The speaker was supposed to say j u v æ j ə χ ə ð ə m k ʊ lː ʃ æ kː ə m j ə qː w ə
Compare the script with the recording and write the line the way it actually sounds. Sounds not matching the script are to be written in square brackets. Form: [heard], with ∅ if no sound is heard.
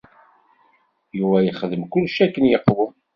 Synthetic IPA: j u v æ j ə χ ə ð ə m k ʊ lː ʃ æ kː ə [n] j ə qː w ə